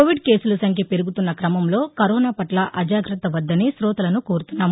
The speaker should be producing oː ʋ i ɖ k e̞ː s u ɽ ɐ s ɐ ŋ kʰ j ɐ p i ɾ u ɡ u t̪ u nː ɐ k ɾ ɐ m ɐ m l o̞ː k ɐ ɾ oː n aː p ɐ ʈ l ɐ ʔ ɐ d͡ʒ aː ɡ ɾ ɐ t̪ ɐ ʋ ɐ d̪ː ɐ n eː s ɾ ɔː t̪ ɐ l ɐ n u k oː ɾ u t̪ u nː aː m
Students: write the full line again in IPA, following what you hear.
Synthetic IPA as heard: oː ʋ i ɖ k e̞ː s u l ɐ s ɐ ŋ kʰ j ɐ p e ɾ u ɡ u t̪ u nː ɐ k ɾ ɐ m ɐ m l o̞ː k ɐ ɾ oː n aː p ɐ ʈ l ɐ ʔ ɐ d͡ʒ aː ɡ ɾ ɐ t̪ ɐ ʋ ɐ d̪ː ɐ n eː s ɾ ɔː t̪ ɐ l ɐ n u k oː ɾ u t̪ u nː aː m